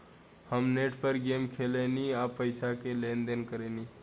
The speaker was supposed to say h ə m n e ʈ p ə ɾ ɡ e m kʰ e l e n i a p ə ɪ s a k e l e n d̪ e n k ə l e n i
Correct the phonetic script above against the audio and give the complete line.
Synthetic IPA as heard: h ə m n e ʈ p ə ɾ ɡ e m kʰ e l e n i a p ə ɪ s a k e l e n d̪ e n k ə ɾ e n i